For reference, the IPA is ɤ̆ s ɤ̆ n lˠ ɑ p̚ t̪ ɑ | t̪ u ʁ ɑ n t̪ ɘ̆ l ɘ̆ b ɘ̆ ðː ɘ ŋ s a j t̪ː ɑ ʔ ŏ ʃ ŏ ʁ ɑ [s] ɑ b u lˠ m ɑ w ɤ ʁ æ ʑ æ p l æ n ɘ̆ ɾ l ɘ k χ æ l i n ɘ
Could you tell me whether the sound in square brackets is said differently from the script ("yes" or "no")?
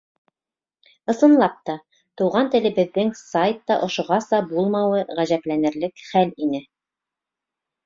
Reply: no